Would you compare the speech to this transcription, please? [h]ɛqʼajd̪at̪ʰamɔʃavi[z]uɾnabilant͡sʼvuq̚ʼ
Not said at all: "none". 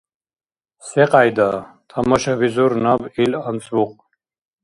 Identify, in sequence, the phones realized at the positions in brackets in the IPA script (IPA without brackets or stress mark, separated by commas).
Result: s, z